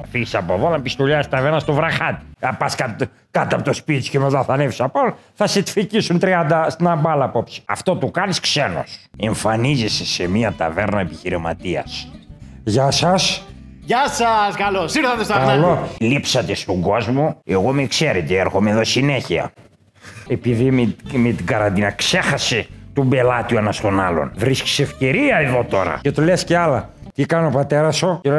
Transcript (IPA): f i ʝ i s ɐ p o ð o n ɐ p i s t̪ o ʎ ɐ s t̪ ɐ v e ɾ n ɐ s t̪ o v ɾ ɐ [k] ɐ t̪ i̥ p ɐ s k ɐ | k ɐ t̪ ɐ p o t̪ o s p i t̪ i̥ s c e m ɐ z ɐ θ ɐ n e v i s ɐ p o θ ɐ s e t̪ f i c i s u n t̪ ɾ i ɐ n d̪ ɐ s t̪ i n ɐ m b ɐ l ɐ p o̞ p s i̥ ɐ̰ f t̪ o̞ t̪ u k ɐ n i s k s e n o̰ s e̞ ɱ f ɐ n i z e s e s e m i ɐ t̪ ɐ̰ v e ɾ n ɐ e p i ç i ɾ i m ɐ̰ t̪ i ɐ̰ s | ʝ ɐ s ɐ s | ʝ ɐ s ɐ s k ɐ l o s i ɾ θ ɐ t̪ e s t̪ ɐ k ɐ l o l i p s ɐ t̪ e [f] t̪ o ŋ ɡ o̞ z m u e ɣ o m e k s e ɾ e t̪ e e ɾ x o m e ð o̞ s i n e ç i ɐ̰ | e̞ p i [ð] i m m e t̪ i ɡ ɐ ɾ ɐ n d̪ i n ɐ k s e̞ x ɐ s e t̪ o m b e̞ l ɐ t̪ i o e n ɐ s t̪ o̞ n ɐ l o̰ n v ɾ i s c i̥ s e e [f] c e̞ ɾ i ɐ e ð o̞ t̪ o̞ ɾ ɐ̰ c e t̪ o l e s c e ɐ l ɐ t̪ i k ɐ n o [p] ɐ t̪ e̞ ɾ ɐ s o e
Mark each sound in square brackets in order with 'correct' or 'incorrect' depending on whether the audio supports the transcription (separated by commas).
incorrect, incorrect, correct, correct, correct